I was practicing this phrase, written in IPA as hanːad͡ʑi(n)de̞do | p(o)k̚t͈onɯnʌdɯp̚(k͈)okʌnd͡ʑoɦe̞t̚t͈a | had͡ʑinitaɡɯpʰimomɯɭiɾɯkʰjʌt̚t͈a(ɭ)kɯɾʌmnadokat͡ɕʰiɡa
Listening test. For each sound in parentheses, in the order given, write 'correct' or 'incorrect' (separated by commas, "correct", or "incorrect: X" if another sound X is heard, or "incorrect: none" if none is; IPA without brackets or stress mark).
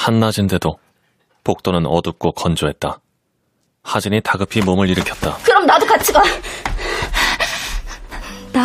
correct, correct, correct, incorrect: none